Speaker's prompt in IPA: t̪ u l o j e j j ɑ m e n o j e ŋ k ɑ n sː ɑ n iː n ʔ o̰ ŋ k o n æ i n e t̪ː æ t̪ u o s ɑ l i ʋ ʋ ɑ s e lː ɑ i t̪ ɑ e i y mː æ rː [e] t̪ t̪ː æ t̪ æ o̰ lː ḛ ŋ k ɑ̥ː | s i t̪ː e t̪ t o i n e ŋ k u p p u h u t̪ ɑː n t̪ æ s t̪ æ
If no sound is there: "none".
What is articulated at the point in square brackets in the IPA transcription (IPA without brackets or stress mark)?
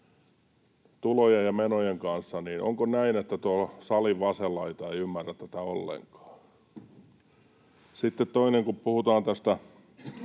æ